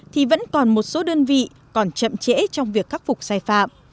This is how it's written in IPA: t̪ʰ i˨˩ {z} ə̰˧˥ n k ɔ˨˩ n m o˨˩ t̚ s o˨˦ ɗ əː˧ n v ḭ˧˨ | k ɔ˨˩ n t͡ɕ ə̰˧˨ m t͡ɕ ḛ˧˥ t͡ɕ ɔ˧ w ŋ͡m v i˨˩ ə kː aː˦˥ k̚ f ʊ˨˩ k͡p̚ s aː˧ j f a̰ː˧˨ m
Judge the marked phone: incorrect: v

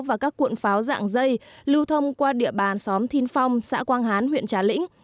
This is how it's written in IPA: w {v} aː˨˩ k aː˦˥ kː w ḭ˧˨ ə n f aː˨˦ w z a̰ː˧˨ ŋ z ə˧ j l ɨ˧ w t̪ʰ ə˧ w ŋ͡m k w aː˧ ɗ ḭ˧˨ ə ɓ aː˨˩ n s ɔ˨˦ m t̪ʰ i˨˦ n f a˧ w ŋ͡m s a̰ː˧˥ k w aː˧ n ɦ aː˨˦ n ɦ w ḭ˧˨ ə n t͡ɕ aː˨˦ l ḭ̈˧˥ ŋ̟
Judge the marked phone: correct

